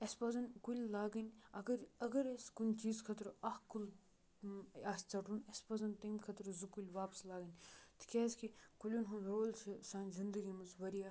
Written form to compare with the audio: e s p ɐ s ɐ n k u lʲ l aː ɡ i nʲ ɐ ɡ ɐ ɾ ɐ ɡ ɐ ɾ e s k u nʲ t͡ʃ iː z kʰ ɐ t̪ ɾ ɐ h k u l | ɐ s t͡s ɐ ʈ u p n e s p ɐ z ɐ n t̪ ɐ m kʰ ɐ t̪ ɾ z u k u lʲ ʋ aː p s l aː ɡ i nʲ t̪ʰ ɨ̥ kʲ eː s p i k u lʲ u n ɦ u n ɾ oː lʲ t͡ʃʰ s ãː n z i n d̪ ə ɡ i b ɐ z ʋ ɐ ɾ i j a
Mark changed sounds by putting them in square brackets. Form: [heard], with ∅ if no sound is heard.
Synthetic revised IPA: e s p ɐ [z] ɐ n k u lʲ l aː ɡ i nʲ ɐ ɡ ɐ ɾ ɐ ɡ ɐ ɾ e s k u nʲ t͡ʃ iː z kʰ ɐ t̪ ɾ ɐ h k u l | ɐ s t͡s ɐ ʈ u [∅] n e s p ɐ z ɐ n t̪ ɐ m kʰ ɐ t̪ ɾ z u k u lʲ ʋ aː p s l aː ɡ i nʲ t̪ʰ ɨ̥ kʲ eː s [k] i k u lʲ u n ɦ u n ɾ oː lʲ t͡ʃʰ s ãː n z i n d̪ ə ɡ i [m] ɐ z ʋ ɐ ɾ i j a